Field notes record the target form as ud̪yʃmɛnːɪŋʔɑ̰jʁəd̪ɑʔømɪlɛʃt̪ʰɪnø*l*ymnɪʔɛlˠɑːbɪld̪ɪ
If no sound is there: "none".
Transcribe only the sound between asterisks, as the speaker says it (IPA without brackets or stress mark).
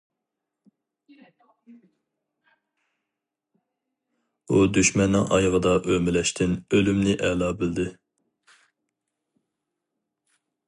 l